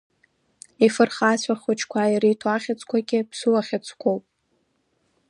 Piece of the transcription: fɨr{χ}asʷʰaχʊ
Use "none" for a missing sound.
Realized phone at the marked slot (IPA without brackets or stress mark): χ